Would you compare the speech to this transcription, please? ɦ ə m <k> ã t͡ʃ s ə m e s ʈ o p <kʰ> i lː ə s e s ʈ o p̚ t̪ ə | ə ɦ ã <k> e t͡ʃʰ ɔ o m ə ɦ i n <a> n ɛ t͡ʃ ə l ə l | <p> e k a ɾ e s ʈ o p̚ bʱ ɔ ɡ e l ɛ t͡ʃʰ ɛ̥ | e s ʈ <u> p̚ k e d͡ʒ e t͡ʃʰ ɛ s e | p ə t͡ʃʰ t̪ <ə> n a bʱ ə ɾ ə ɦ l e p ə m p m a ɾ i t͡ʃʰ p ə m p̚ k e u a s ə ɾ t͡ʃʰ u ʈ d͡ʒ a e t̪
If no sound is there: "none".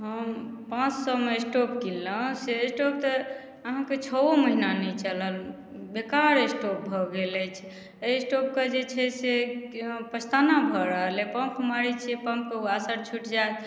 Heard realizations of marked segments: p, k, k, a, b, o, a

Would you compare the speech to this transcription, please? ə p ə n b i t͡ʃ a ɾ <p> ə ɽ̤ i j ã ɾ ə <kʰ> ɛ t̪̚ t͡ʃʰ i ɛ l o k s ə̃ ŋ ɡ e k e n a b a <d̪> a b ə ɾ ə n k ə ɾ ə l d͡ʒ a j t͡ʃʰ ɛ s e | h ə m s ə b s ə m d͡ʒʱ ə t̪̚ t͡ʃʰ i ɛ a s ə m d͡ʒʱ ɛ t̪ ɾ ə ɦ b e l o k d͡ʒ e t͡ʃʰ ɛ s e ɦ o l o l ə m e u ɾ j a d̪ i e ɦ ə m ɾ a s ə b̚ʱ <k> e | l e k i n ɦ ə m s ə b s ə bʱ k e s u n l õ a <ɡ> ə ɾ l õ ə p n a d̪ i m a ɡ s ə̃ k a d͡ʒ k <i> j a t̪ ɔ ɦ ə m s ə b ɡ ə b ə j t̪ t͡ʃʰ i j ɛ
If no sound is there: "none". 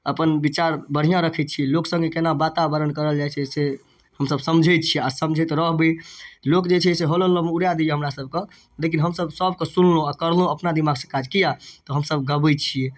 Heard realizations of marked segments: b, kʰ, t̪, k, k, i

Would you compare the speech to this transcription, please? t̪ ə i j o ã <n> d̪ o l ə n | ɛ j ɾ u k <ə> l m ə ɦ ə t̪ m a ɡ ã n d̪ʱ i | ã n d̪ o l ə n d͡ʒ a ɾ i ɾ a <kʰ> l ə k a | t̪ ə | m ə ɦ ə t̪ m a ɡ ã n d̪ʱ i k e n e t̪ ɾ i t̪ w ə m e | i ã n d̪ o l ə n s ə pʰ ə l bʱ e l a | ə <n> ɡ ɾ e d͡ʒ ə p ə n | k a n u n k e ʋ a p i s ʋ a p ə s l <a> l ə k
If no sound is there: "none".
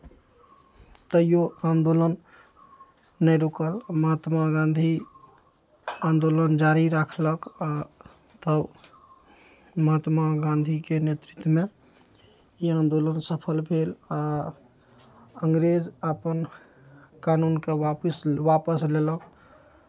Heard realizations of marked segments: n, ə, kʰ, ŋ, e

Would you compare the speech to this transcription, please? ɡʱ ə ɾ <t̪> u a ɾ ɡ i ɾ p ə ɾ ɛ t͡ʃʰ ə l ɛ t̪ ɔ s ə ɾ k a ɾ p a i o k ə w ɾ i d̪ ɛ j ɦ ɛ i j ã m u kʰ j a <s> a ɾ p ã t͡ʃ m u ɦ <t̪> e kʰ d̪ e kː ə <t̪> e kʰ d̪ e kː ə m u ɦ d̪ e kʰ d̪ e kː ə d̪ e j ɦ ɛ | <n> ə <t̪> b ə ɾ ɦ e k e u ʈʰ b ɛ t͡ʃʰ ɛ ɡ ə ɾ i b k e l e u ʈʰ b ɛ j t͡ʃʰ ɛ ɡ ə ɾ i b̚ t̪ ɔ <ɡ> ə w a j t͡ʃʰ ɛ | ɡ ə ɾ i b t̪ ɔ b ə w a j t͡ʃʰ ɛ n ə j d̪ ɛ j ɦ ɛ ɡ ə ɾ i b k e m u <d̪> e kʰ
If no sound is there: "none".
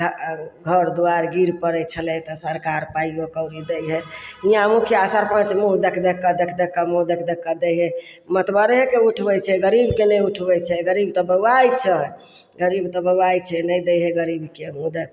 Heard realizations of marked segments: d̪, s, d̪, d̪, m, t̪, b, d̪

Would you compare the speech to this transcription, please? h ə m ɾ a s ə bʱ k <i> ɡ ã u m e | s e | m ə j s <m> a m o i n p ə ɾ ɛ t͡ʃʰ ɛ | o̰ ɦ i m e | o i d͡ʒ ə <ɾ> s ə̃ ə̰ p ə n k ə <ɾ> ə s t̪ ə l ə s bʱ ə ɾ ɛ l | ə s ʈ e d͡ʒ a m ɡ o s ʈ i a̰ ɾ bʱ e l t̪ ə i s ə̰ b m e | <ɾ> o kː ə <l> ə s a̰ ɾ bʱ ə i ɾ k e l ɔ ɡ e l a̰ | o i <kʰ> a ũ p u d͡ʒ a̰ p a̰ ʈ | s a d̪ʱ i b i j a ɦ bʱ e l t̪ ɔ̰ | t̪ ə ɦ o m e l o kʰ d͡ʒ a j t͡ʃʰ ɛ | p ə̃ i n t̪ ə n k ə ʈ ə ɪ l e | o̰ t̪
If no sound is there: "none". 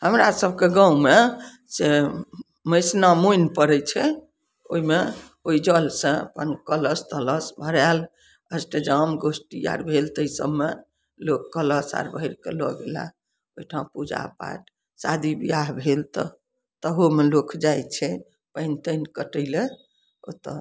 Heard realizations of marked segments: e, n, l, l, l, l, ʈʰ

